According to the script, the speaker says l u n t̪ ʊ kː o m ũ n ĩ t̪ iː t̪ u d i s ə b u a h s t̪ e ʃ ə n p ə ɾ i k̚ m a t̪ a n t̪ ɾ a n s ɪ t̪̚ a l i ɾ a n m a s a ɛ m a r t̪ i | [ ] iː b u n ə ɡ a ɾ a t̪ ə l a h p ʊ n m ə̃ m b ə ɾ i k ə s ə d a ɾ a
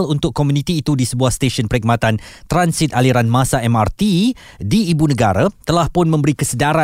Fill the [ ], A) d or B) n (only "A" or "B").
A